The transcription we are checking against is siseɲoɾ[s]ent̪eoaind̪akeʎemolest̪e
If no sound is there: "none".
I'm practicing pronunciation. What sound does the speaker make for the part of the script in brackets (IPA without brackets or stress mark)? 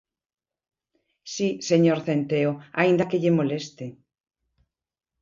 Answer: θ